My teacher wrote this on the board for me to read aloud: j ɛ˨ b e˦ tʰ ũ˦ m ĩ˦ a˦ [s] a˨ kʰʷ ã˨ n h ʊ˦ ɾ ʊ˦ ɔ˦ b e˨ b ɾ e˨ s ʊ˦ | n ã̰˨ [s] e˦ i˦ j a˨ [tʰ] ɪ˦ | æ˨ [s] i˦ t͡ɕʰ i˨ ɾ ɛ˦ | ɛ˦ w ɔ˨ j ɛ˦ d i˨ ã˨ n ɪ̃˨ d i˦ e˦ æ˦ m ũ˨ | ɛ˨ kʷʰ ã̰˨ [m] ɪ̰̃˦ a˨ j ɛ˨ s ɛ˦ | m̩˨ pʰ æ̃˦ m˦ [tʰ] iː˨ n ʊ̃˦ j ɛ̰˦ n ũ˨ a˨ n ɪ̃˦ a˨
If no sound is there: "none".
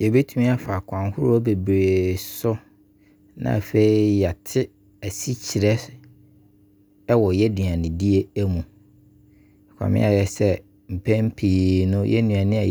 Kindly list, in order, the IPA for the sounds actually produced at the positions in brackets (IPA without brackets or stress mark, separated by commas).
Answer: f, f, tʰ, s, m, pʰ